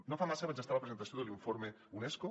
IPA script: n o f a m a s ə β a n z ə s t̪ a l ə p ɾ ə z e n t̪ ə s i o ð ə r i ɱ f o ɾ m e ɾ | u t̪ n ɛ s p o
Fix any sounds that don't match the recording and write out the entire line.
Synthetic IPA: n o f a m a s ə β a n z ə s t̪ a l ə p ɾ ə z e n t̪ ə s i o ð ə l i ɱ f o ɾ m e | u n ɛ s k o